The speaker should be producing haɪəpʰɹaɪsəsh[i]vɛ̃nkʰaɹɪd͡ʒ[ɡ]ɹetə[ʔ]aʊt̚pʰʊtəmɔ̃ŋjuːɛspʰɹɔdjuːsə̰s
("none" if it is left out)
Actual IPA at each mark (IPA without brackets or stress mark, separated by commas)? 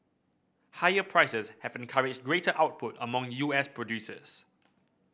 ɛ, ɡ, ʔ